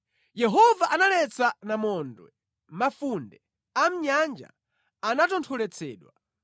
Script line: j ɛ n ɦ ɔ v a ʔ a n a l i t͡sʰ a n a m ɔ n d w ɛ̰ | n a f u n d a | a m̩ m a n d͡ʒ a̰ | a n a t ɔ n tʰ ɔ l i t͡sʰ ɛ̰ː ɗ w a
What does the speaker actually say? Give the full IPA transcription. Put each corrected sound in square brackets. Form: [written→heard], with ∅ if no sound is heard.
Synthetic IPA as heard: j ɛ [n→∅] ɦ ɔ v a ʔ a n a l [i→ɛ] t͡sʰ a n a m ɔ n d w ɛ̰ | [n→m] a f u n d [a→ɛ] | a m̩ [m→ɲ] a n d͡ʒ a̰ | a n a t ɔ n tʰ ɔ l [i→ɛ] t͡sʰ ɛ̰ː ɗ w a